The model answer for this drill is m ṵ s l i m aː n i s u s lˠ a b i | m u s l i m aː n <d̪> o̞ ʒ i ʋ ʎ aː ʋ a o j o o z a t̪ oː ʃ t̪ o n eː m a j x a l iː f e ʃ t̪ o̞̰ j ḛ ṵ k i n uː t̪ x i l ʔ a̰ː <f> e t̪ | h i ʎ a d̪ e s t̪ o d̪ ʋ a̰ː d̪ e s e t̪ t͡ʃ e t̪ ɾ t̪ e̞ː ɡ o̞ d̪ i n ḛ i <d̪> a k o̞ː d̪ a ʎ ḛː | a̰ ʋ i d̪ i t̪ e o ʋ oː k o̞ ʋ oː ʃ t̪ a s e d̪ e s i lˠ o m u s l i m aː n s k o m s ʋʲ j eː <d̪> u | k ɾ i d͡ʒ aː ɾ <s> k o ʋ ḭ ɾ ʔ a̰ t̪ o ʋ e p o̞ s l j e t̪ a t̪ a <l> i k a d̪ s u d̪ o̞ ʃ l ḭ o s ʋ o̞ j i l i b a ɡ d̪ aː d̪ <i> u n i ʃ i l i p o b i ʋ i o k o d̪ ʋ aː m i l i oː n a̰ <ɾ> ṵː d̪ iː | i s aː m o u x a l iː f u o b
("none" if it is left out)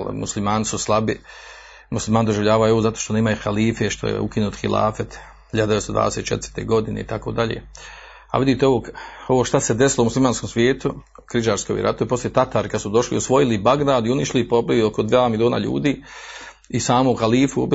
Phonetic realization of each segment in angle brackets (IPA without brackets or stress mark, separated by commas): d̪, f, t̪, t̪, s, ɾ, i, ʎ